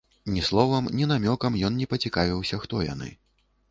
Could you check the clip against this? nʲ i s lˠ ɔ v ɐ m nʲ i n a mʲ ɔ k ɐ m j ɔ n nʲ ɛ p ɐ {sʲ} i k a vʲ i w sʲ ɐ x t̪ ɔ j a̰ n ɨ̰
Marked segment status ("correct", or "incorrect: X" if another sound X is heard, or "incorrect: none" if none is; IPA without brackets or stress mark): incorrect: t͡sʲ